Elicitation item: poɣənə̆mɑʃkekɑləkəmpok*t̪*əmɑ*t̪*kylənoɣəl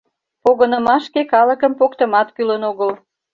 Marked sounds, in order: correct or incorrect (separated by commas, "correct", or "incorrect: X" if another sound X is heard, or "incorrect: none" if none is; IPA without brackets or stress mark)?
correct, correct